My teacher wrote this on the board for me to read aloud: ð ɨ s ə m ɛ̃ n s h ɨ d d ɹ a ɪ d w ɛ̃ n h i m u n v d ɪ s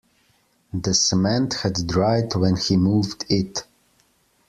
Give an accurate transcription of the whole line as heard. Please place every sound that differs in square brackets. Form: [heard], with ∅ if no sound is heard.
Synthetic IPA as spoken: ð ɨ s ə m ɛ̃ n [t] h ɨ d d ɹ a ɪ d w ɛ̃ n h i m u [∅] v d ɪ [t]